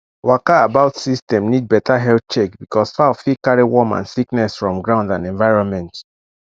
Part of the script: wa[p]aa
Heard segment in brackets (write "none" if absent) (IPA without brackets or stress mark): k